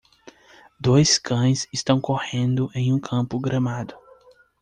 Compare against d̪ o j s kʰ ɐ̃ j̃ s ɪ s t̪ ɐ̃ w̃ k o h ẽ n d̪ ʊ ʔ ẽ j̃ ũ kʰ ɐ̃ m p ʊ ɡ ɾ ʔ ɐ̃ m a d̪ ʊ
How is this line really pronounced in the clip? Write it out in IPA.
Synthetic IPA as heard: d̪ o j s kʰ ɐ̃ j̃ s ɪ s t̪ ɐ̃ w̃ k o h ẽ n d̪ ʊ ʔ ẽ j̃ ũ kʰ ɐ̃ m p ʊ ɡ ɾ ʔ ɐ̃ m a d̪ ʊ